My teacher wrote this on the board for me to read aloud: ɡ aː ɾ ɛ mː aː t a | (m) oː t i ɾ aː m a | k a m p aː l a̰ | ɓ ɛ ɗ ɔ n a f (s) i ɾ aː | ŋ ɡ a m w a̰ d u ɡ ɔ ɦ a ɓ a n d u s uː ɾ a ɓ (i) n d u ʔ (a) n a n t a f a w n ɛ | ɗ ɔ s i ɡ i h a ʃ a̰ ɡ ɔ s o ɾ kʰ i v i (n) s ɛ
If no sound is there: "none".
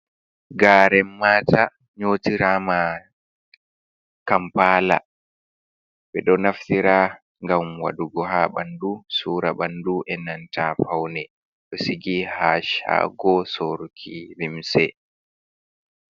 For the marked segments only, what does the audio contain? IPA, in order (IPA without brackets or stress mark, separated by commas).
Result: ɲ, t, a, ɛ, m